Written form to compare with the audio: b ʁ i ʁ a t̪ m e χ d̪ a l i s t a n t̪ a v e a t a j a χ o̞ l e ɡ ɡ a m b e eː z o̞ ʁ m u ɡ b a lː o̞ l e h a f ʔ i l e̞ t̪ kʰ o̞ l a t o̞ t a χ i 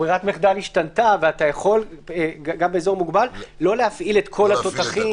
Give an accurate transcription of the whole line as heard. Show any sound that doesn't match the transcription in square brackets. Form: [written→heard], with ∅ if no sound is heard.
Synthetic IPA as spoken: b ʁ i ʁ a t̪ m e χ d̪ a l i [s→ʃ] t a n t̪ a v e a t a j a χ o̞ l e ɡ ɡ a m b e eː z o̞ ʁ m u ɡ b a lː o̞ l e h a f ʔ i l e̞ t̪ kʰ o̞ l a t o̞ t a χ i